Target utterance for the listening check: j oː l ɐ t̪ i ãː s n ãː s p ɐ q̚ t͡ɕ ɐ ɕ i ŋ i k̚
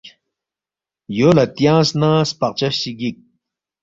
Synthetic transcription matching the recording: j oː l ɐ t̪ j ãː s n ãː s p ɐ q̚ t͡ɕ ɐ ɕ i ɡ i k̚